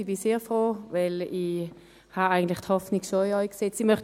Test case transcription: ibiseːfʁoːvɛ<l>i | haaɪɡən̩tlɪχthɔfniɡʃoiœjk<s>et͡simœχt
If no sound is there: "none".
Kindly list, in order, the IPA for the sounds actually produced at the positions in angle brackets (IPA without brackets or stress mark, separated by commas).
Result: l, s